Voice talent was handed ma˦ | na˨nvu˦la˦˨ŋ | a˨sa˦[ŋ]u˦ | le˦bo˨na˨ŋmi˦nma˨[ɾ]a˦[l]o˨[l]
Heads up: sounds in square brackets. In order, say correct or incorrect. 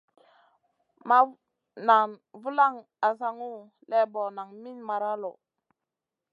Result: correct, correct, correct, incorrect

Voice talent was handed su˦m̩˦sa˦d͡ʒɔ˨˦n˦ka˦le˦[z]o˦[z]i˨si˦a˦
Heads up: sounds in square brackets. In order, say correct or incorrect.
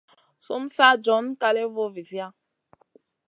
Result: incorrect, incorrect

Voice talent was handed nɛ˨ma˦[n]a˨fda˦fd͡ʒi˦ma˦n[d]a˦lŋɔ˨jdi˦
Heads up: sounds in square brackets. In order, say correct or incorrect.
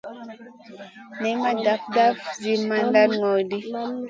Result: incorrect, correct

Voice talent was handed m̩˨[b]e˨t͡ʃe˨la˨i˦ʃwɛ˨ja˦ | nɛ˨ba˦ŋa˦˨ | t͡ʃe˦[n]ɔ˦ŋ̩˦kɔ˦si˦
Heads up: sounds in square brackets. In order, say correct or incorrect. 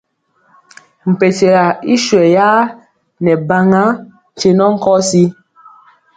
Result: incorrect, correct

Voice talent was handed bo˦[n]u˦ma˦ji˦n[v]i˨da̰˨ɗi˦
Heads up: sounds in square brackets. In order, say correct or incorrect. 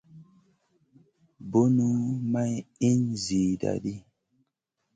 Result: correct, incorrect

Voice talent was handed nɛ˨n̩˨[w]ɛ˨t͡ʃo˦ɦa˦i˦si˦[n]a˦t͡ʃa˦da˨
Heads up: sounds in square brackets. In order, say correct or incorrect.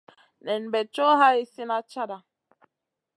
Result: incorrect, correct

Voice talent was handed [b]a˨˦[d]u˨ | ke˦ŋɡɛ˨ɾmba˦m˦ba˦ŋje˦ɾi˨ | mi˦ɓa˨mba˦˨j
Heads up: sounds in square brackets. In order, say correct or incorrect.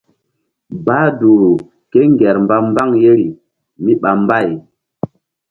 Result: correct, correct

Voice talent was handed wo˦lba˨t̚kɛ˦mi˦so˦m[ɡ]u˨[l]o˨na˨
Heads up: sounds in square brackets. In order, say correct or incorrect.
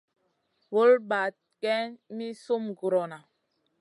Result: correct, incorrect

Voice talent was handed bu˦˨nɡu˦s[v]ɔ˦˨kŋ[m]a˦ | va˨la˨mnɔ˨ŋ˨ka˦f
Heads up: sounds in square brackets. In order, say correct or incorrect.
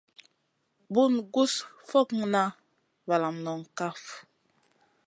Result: incorrect, incorrect

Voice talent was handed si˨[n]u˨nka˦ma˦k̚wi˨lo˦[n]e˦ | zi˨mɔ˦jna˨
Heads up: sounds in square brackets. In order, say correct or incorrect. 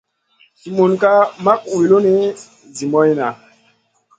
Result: incorrect, correct

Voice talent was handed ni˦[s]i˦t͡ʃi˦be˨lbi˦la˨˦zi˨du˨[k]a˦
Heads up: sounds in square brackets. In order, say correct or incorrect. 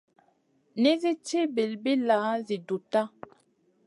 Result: incorrect, incorrect

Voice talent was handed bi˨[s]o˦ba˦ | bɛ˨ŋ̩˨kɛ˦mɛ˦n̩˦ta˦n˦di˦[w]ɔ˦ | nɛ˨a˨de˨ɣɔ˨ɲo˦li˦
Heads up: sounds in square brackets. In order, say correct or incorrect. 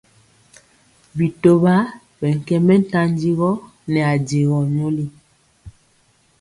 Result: incorrect, incorrect

